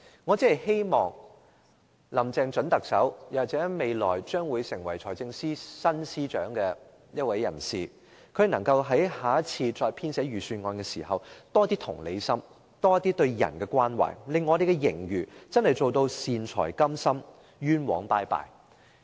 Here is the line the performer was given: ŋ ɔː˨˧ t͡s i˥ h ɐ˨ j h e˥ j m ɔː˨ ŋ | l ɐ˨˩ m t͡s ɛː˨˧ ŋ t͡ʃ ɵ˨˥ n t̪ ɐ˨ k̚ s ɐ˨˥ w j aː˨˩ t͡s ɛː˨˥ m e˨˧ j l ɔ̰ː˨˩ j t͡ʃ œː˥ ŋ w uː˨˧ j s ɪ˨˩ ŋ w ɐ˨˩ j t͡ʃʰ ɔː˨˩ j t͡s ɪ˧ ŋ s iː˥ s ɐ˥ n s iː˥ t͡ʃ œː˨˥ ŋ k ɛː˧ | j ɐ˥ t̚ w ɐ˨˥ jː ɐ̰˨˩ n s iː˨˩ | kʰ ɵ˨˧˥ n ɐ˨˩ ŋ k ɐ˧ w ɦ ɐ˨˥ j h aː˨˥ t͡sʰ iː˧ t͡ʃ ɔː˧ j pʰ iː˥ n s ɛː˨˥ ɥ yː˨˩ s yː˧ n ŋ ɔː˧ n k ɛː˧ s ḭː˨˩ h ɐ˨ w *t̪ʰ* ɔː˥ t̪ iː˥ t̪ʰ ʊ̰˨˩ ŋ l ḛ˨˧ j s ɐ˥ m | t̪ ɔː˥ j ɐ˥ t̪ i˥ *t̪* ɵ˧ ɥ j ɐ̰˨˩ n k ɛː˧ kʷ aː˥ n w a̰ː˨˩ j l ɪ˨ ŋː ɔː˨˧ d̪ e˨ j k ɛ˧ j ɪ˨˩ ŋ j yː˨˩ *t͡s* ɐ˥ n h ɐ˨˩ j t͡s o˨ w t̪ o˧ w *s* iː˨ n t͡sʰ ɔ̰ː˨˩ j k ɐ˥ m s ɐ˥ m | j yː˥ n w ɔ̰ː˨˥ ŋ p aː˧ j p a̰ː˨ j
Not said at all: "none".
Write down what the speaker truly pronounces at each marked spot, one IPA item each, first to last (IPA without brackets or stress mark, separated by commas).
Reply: t̪, t̪, t͡s, s